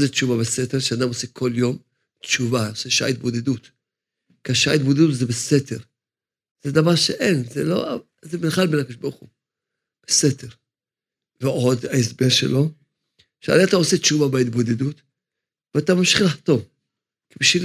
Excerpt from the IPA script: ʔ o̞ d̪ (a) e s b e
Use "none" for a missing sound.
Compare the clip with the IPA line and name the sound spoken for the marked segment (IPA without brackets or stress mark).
a